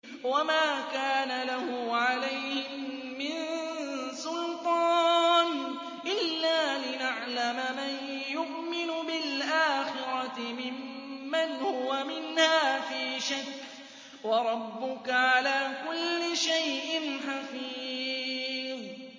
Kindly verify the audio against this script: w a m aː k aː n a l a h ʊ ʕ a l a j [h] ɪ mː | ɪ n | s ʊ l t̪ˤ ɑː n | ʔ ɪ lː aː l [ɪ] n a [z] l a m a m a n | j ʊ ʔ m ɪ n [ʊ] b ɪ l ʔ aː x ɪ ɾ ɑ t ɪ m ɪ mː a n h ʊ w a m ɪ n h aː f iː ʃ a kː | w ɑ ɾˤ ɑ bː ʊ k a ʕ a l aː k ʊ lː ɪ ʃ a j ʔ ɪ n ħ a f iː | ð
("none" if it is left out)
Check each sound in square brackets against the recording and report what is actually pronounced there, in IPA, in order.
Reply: h, ɪ, ʕ, ʊ

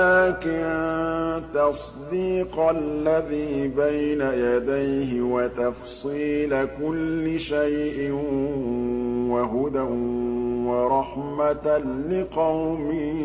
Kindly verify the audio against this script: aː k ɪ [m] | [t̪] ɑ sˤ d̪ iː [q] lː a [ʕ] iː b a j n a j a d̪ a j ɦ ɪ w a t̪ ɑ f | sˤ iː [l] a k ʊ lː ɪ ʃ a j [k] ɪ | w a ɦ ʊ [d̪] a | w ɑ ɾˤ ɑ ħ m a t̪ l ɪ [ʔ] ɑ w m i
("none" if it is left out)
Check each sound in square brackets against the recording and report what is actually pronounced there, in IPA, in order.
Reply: n, t̪, q, ð, l, ʔ, d̪, q

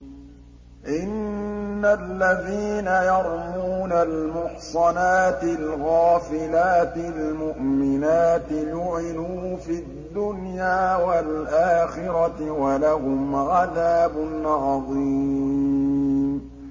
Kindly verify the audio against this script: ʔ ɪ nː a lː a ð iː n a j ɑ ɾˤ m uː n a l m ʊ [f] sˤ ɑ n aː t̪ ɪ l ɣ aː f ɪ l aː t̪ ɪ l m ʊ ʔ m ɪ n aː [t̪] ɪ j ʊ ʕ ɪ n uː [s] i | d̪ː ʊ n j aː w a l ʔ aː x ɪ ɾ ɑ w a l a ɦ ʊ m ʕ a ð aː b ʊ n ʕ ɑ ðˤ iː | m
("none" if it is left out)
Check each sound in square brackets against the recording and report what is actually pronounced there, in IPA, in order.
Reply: ħ, t̪, f

